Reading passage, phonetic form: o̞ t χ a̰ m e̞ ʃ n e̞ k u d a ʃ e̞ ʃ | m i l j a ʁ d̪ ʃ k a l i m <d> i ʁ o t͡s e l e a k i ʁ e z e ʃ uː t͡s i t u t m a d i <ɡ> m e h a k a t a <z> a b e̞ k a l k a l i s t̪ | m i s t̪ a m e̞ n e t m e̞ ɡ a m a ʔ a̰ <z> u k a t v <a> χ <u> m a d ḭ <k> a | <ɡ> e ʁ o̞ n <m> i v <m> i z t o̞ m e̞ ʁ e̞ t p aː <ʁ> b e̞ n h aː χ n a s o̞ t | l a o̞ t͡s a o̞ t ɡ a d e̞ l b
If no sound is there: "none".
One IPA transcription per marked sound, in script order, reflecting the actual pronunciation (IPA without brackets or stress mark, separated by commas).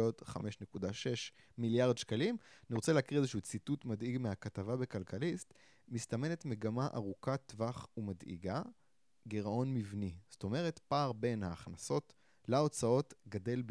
n, ɡ, v, ʁ, a, u, ɡ, ɡ, m, n, ʁ